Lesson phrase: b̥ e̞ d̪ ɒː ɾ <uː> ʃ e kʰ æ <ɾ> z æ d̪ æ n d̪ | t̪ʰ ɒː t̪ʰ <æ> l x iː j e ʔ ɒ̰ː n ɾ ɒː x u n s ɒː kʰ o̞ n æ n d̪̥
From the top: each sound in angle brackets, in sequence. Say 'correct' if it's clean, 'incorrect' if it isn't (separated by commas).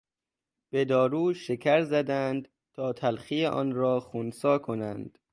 correct, correct, correct